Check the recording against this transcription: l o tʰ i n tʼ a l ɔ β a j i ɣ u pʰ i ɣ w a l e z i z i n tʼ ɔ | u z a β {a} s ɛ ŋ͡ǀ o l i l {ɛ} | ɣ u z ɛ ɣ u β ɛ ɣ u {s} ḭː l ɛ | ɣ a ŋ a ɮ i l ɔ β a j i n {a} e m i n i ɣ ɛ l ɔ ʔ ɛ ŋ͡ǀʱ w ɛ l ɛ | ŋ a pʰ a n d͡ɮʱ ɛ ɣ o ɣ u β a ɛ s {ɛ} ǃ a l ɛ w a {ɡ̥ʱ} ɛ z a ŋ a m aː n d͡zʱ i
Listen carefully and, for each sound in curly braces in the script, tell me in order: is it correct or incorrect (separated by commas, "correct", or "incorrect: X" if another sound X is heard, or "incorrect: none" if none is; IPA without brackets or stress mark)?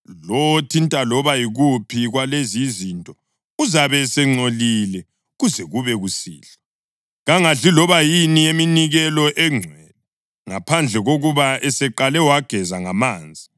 incorrect: ɛ, correct, correct, incorrect: i, correct, correct